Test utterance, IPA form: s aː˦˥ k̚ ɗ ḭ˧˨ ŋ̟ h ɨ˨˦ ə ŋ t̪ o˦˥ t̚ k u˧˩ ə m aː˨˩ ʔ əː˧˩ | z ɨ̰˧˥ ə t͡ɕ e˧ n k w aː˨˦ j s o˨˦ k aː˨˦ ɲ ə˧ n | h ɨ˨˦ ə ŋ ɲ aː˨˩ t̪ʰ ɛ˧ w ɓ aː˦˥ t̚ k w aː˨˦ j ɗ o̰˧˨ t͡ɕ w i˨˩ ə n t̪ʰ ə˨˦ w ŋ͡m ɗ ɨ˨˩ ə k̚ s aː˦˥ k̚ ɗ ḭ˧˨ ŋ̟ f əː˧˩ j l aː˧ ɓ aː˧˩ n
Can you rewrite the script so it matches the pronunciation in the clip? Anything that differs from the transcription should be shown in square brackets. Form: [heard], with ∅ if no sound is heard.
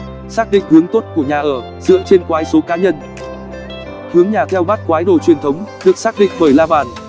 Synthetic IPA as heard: s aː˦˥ k̚ ɗ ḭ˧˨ ŋ̟ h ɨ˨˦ ə ŋ t̪ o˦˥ t̚ k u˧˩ ə [ɲ] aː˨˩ ʔ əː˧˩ | z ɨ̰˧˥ ə t͡ɕ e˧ n k w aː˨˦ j s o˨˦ k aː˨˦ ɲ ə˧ n | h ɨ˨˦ ə ŋ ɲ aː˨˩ t̪ʰ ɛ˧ w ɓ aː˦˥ t̚ k w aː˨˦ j ɗ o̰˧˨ t͡ɕ w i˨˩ ə n t̪ʰ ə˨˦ w ŋ͡m ɗ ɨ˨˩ ə k̚ s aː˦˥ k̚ ɗ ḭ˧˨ ŋ̟ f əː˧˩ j l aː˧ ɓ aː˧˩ n